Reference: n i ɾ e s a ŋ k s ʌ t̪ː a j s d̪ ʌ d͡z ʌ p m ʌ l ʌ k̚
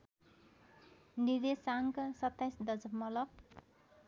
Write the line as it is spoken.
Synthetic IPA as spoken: n i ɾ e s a ŋ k s ʌ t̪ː a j s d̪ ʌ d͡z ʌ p m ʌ l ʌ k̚